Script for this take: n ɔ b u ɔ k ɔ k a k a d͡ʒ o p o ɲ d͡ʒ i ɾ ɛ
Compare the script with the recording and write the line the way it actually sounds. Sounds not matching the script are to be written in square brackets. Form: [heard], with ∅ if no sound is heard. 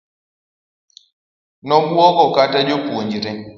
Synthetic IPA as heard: n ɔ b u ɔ k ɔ k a [t] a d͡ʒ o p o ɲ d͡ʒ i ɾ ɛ